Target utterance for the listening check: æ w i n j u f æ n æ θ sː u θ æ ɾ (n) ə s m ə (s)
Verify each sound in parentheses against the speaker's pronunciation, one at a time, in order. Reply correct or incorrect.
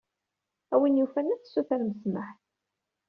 incorrect: m, incorrect: ħ

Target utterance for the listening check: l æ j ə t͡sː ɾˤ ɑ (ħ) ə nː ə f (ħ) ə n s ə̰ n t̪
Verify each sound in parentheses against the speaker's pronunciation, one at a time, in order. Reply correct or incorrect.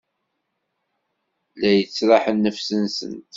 correct, incorrect: s

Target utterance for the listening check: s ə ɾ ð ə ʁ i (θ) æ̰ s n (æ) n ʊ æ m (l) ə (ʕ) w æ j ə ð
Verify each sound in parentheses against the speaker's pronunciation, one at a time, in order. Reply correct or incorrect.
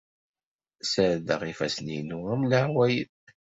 incorrect: f, incorrect: i, correct, correct

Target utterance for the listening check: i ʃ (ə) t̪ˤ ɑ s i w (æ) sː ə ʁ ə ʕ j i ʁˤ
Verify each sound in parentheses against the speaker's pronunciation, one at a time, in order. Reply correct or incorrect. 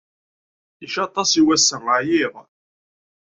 incorrect: ɑ, correct

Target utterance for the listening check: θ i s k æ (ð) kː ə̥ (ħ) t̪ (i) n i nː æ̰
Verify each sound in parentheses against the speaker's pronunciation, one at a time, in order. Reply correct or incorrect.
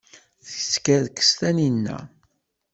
correct, incorrect: s, incorrect: æ

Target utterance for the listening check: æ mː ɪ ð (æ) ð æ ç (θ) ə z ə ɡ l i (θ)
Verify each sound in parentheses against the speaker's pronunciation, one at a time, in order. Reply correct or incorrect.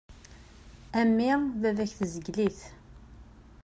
correct, correct, correct

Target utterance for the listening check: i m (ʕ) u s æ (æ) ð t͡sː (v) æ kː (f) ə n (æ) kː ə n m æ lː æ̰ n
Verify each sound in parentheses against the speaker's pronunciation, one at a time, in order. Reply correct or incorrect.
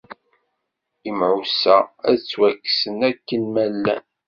correct, correct, incorrect: w, incorrect: s, correct

